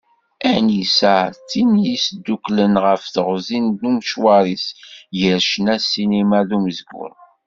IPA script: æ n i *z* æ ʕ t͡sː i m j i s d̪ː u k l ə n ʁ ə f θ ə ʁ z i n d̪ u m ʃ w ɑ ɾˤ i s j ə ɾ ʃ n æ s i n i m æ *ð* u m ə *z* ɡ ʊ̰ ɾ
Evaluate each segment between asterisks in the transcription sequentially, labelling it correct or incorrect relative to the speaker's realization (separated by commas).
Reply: incorrect, correct, correct